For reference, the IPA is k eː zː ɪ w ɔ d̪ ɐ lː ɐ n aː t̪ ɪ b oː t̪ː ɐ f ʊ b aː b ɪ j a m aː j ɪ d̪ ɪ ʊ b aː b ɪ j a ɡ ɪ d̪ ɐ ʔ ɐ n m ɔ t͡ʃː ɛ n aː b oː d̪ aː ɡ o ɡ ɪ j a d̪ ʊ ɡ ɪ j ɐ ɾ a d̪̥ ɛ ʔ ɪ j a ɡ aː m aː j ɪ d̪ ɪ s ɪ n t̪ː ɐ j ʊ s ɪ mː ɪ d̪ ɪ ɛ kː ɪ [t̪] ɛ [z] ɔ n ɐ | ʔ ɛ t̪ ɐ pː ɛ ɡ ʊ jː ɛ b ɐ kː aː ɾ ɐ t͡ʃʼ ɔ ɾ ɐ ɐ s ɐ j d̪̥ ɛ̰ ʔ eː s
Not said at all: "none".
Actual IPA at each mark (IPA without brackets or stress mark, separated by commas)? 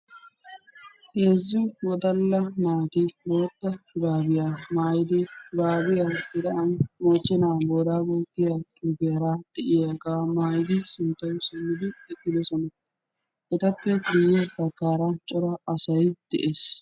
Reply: d̪, s